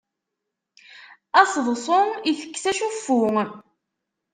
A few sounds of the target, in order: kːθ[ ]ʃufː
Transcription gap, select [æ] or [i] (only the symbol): æ